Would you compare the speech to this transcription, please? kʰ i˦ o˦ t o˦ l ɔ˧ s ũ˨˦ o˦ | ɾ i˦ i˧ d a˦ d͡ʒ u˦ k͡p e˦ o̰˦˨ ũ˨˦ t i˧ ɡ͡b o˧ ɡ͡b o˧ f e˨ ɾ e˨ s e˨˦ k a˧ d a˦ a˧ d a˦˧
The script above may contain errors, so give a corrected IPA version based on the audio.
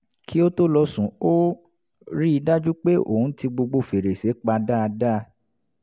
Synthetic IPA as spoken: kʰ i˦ o˦ t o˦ l ɔ˧ s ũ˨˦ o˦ | ɾ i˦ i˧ d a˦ d͡ʒ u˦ k͡p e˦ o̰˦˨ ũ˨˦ t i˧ ɡ͡b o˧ ɡ͡b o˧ f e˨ ɾ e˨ s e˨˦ k͡p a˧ d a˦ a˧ d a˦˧